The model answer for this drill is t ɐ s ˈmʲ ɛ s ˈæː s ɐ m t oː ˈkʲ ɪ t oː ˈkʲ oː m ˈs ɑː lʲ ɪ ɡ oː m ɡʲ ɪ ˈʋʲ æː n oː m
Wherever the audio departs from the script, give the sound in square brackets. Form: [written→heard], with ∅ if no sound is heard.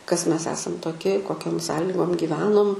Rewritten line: [t→k] ɐ s ˈmʲ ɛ s ˈæː s ɐ m t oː ˈkʲ ɪ [t→k] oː ˈkʲ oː m ˈs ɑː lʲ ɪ ɡ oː m ɡʲ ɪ ˈʋʲ æː n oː m